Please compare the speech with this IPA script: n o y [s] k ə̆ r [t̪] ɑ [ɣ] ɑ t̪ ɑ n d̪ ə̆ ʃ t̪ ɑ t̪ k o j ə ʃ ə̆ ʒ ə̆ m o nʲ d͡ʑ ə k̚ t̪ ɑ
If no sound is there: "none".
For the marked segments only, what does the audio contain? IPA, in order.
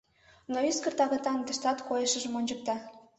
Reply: s, t̪, ɣ

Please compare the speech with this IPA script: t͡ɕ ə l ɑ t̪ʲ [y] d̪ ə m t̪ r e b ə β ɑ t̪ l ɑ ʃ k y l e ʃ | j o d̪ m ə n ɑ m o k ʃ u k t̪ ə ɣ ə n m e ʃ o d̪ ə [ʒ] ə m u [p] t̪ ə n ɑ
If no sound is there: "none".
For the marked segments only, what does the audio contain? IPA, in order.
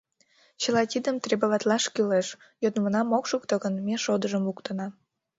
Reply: i, ʒ, k

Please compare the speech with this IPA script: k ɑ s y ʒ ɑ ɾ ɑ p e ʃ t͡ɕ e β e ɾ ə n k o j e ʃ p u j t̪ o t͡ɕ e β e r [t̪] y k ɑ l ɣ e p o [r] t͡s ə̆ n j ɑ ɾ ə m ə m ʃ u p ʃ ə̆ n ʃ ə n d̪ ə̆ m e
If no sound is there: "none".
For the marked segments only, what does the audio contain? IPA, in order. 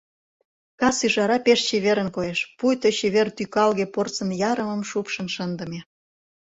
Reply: t̪, r

